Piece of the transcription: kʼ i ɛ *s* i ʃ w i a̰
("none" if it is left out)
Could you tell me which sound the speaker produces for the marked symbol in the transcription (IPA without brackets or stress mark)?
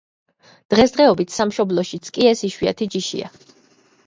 s